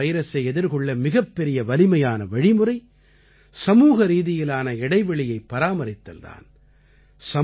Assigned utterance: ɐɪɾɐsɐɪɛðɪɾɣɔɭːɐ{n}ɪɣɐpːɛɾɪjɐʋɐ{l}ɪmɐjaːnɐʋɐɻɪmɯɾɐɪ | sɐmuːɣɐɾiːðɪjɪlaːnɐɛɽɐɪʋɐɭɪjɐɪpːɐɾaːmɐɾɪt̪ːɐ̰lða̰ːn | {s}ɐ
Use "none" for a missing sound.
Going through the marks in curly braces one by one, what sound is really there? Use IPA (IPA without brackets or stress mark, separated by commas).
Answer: m, l, s